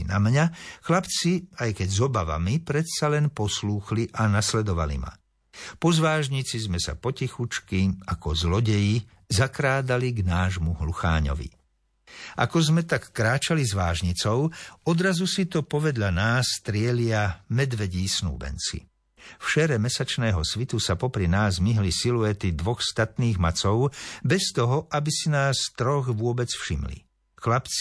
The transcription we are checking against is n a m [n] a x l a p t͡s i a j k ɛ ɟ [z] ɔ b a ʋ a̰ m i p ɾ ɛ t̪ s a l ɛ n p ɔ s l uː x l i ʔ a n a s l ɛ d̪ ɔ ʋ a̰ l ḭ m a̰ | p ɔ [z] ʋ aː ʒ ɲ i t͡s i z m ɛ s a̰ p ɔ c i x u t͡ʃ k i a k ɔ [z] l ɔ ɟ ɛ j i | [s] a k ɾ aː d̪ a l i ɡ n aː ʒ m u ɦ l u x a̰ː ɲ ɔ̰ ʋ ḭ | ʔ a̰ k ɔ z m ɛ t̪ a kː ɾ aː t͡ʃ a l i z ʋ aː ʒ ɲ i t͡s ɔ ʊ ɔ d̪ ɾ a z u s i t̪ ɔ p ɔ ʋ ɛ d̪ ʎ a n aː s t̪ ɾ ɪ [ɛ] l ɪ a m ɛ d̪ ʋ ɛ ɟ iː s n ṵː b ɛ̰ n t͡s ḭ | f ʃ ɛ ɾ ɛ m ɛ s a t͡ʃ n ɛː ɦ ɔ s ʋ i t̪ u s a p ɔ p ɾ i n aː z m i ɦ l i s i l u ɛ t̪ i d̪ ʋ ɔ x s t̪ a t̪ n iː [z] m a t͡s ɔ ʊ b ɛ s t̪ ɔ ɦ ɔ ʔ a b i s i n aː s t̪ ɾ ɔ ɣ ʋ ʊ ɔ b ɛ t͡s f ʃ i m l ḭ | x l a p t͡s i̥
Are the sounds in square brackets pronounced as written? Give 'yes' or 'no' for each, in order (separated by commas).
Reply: no, yes, yes, yes, no, yes, no